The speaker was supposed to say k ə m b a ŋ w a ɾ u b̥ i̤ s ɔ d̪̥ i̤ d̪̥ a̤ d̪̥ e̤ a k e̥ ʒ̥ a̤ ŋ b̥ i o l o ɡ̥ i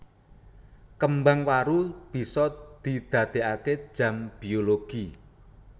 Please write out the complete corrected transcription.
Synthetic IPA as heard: k ə m b a ŋ w a ɾ u b̥ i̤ s ɔ d̪̥ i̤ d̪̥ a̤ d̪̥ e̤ a k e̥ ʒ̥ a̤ m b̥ i o l o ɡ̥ i